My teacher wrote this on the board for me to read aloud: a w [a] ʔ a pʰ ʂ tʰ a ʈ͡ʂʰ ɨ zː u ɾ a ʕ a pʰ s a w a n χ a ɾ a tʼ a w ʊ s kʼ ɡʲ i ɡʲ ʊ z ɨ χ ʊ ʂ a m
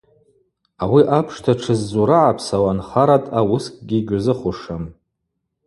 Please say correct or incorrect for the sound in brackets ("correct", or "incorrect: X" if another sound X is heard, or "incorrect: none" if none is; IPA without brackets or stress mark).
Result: incorrect: i